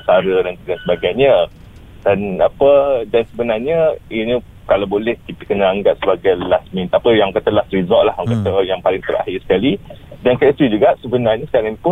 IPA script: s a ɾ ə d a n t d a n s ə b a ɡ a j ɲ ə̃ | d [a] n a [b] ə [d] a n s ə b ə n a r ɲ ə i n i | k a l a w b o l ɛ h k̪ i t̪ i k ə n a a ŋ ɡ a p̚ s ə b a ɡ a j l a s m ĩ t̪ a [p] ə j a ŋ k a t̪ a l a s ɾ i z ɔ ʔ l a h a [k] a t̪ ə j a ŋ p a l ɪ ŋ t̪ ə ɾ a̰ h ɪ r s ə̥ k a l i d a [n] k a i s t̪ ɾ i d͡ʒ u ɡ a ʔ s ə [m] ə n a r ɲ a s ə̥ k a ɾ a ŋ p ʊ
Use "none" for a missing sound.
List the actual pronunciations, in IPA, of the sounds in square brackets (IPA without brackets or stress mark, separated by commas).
a, p, d, p, k, n, b